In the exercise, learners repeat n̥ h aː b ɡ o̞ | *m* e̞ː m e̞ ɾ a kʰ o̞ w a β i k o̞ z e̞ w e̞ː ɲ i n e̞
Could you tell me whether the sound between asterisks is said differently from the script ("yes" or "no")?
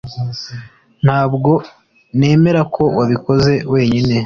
yes